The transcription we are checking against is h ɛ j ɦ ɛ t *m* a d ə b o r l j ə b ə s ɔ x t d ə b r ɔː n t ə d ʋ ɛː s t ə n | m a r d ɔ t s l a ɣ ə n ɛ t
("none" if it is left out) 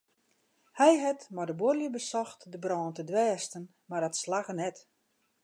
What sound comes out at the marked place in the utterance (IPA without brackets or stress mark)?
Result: m